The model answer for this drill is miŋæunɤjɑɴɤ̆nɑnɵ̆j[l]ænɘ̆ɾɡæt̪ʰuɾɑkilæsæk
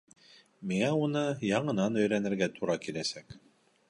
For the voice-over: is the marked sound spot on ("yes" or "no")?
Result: no